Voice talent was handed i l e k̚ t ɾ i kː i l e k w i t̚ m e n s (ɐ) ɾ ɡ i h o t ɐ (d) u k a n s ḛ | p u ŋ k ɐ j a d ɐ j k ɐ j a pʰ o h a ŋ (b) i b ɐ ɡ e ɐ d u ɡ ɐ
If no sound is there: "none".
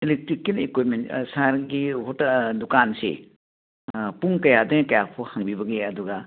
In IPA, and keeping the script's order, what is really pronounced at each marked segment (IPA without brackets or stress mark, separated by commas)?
a, d, b